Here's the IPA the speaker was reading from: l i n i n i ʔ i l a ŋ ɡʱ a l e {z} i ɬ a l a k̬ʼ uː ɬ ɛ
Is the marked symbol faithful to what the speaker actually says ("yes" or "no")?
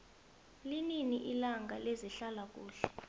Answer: yes